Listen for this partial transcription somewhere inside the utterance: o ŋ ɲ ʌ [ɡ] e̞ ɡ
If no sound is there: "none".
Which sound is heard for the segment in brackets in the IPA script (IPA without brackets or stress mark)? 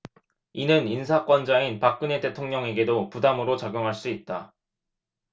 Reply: ŋ